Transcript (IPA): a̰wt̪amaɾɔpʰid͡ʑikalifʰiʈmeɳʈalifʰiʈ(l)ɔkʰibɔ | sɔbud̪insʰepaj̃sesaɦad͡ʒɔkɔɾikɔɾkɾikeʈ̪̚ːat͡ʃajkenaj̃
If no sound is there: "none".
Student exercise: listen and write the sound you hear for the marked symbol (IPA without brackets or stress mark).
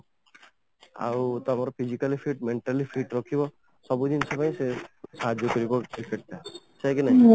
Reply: ɾ